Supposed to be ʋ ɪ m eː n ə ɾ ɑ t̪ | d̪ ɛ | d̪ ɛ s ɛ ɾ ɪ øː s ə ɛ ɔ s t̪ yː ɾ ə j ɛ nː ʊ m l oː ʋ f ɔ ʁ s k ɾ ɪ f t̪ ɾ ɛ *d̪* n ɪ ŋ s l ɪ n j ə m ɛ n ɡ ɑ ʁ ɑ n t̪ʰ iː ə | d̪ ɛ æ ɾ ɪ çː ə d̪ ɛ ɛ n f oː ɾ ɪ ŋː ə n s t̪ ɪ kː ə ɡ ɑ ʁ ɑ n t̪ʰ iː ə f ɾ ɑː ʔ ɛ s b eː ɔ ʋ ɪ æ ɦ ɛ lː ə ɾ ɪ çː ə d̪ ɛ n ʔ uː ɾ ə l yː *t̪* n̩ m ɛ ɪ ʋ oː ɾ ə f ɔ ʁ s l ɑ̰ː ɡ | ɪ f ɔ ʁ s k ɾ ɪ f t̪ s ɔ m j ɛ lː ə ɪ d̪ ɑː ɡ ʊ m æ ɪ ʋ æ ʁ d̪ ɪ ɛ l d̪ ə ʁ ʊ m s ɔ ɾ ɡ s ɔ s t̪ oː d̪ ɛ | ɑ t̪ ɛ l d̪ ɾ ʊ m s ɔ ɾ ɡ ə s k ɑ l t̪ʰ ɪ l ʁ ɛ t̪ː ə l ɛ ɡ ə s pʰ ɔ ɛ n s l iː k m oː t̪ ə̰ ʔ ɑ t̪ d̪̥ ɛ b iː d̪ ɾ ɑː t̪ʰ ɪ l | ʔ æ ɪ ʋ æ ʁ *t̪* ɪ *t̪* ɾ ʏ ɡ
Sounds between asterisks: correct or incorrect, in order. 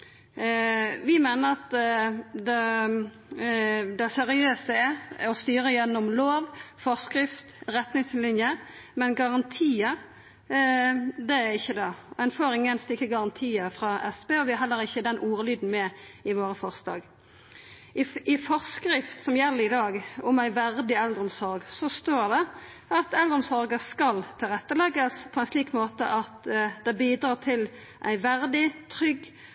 incorrect: t̪, incorrect: d̪, incorrect: d̪, incorrect: t̪ʰ

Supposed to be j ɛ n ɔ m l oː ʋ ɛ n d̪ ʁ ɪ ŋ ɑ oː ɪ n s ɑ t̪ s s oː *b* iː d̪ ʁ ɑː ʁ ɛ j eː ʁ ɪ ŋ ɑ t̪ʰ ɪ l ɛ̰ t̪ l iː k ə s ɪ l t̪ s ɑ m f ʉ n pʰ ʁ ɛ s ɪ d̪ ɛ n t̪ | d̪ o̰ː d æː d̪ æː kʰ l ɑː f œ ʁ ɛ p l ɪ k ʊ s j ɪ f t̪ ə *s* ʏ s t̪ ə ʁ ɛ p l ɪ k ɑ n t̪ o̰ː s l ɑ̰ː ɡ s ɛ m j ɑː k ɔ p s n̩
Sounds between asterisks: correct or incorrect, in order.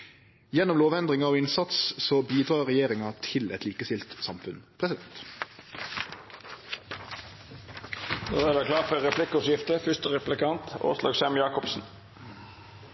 correct, incorrect: f

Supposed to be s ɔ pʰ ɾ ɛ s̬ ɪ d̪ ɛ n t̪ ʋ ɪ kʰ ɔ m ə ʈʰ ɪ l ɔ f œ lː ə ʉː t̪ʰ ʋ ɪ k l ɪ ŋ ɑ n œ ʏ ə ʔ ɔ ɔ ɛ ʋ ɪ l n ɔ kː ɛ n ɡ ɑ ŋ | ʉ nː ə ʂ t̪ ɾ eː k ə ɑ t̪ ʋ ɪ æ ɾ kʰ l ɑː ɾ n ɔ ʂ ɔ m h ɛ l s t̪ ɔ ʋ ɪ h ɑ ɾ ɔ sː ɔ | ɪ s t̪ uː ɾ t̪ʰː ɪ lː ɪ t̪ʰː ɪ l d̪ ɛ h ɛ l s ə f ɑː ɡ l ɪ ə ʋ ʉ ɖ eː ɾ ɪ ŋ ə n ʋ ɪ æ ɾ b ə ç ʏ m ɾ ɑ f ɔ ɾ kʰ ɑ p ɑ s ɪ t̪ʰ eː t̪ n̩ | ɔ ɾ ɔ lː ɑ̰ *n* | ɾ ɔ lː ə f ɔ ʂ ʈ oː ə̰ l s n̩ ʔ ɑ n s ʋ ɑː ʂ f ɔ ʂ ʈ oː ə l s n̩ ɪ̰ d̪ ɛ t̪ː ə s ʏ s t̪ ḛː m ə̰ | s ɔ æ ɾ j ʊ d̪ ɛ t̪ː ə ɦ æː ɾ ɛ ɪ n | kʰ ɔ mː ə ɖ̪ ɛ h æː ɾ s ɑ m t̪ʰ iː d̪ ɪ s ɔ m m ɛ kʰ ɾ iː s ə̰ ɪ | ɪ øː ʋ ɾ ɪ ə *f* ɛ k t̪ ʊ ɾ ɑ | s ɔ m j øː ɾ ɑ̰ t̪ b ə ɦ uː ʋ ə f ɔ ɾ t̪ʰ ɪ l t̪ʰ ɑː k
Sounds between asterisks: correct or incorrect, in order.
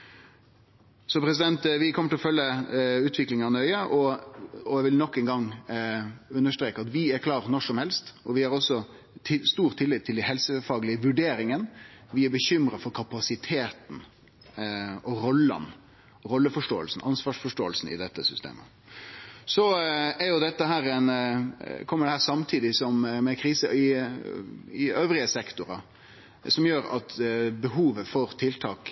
correct, incorrect: s

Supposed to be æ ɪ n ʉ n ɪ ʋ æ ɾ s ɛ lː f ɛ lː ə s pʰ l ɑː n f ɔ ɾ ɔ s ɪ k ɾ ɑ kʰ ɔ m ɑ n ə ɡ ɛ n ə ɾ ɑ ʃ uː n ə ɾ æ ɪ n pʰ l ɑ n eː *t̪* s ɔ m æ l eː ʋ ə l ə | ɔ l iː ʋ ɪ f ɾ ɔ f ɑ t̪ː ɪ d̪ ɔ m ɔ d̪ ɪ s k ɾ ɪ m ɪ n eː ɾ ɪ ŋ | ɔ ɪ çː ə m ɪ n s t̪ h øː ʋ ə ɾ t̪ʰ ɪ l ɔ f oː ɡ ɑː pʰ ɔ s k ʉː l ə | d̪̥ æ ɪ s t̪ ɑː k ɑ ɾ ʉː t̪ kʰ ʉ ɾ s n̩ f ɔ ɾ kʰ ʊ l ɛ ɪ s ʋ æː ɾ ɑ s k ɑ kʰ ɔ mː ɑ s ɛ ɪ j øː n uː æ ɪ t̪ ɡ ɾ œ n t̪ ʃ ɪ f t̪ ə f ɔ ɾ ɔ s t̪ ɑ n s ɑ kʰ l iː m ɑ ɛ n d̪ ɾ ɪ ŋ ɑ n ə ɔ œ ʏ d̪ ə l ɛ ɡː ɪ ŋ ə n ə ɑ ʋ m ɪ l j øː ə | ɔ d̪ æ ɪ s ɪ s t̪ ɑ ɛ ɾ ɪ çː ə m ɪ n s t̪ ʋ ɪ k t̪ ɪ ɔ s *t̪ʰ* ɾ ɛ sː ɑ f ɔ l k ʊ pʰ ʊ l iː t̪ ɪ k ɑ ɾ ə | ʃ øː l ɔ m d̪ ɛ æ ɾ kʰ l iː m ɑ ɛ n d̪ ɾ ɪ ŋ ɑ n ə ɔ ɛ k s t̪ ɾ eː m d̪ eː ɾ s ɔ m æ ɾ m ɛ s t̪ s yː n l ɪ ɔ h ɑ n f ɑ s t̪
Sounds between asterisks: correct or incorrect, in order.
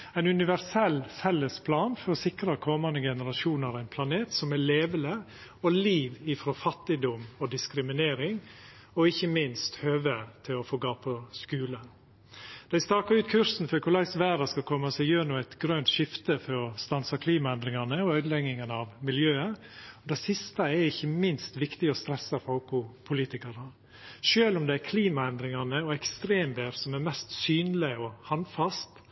correct, incorrect: t̪

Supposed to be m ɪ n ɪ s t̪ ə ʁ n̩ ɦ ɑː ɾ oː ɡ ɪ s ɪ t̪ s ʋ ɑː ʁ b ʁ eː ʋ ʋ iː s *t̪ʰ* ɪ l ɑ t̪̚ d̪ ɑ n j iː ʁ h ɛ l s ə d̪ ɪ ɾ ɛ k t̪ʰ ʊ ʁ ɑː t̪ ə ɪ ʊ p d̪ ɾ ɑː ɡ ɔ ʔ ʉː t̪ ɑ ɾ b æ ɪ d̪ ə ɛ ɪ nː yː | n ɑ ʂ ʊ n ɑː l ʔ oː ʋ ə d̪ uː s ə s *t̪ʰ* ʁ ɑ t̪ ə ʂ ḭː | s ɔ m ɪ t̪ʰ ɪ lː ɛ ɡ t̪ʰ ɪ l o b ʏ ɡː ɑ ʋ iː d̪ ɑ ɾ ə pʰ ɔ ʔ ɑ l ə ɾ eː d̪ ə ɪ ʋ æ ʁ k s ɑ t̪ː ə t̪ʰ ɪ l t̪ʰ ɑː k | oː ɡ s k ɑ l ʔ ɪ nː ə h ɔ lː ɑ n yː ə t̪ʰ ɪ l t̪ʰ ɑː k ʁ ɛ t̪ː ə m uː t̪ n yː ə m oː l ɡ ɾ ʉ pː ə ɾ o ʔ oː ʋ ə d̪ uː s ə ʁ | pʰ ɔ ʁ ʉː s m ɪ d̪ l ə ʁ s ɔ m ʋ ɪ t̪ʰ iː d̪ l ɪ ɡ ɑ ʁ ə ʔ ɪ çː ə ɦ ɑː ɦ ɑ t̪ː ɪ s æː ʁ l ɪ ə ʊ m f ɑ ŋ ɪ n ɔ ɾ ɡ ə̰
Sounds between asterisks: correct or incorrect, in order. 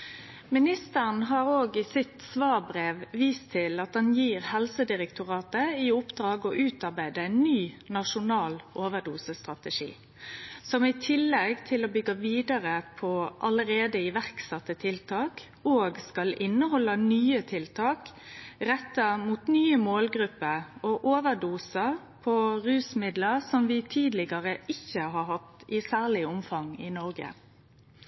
correct, incorrect: t̪

